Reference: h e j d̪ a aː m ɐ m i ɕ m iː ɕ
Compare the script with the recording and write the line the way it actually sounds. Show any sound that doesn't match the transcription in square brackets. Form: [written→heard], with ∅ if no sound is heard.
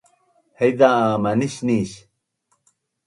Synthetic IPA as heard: h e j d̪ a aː m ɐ [m→n] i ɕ [m→n] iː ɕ